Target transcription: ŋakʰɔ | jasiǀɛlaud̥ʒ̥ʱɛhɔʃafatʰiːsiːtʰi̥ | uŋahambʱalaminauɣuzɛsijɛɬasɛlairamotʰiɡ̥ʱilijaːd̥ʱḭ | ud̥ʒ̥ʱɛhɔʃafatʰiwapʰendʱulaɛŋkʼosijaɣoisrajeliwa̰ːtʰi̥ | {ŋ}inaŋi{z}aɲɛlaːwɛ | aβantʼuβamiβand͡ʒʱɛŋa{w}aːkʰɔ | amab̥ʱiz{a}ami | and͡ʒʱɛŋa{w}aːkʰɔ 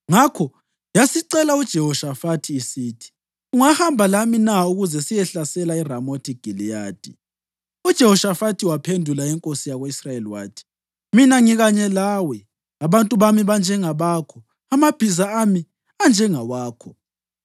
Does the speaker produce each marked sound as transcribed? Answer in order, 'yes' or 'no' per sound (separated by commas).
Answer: no, no, no, yes, yes